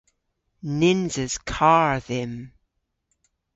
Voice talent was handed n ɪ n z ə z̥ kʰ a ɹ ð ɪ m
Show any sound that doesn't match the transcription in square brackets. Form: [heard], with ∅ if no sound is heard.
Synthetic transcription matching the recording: n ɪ n z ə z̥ kʰ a ɹ ð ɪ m